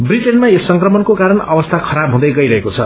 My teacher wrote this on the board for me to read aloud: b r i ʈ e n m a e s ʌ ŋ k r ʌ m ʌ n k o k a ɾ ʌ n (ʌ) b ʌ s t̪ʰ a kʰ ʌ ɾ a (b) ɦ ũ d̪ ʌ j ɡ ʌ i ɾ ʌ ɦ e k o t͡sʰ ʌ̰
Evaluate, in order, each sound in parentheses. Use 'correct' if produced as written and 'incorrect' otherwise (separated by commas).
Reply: correct, correct